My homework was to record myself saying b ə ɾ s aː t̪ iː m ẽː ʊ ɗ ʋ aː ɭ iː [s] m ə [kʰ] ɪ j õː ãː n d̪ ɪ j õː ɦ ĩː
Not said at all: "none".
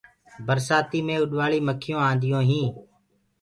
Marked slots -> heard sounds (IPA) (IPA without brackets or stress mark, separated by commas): none, kʰ